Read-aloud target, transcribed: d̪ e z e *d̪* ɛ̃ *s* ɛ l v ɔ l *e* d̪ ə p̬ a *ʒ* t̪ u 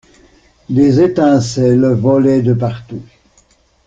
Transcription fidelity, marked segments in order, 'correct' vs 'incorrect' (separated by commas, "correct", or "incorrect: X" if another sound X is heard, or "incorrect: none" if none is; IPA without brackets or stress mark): incorrect: t̪, correct, incorrect: ɛ, incorrect: ʁ